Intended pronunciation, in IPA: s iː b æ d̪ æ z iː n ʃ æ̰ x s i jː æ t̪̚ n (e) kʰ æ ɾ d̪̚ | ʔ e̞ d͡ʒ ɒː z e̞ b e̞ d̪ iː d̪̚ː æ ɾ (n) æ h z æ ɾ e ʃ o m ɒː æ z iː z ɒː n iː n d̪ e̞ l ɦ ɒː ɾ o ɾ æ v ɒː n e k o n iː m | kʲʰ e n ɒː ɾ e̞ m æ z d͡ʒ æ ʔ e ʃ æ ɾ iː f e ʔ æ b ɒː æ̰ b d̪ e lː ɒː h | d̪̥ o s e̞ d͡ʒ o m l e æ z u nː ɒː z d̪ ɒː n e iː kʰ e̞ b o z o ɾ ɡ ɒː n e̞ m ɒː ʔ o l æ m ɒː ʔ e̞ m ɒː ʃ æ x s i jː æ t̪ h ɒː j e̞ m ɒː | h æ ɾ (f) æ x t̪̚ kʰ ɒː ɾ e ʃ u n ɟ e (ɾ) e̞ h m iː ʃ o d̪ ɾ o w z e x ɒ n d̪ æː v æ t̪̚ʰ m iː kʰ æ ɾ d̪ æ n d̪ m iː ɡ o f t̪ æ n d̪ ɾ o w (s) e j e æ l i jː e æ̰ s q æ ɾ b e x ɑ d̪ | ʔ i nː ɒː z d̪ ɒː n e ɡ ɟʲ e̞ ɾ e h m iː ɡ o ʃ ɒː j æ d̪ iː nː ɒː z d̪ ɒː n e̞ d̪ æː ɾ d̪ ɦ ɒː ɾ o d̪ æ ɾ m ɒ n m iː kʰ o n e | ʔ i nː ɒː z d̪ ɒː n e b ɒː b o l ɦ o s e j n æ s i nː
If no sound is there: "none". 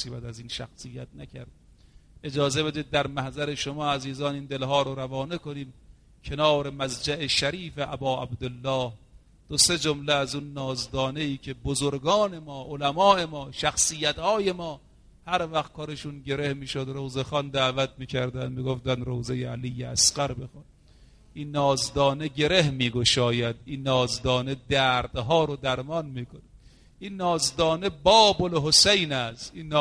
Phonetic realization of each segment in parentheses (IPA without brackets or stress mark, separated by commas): æ, m, v, ɾ, z